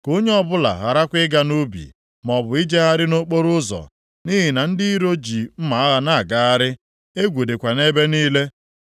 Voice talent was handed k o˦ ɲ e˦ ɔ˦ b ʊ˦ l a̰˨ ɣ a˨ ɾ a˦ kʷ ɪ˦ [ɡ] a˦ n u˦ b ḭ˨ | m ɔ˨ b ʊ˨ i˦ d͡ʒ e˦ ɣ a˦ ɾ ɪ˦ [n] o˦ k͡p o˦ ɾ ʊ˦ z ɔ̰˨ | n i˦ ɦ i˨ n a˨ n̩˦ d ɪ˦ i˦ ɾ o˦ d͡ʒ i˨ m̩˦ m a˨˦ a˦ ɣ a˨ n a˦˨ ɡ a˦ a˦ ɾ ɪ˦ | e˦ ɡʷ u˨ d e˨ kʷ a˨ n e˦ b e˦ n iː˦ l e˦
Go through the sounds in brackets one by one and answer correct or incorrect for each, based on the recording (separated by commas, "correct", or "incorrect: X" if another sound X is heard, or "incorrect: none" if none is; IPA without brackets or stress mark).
correct, correct